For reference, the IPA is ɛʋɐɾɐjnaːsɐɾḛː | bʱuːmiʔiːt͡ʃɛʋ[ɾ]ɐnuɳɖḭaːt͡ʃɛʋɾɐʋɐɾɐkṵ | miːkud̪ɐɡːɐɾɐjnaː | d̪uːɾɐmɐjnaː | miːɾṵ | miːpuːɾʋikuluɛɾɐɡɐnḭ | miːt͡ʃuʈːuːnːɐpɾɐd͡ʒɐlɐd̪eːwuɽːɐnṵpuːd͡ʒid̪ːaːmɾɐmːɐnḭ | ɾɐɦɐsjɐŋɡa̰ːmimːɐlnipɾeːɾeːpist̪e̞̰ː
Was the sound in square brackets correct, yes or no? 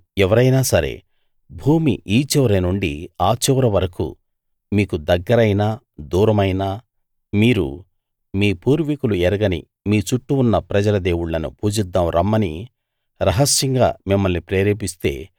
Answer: yes